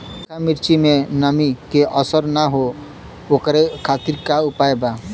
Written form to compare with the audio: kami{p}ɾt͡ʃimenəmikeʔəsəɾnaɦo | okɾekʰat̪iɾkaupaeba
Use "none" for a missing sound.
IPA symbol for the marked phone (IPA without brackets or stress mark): none